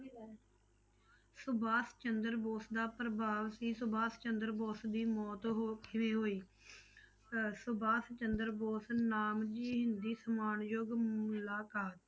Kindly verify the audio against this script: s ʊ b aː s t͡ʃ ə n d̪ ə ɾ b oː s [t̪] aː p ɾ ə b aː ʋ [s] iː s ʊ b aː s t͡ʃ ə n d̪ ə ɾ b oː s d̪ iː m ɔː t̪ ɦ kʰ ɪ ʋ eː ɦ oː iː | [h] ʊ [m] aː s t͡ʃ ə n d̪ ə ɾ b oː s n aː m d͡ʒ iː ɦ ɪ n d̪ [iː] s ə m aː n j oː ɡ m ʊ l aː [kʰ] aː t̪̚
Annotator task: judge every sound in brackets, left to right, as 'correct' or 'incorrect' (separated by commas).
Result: incorrect, correct, incorrect, incorrect, correct, incorrect